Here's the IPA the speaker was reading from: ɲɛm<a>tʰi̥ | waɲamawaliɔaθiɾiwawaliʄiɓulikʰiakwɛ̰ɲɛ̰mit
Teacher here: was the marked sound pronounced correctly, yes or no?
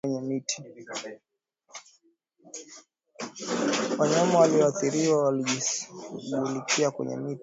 no